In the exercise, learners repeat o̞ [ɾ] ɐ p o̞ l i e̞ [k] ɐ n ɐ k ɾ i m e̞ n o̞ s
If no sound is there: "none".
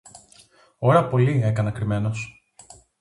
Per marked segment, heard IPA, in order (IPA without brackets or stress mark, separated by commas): ɾ, k